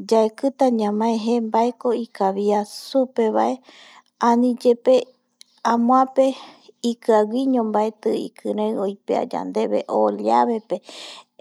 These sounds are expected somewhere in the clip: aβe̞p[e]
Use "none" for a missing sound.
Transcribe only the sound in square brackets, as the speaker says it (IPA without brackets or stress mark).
e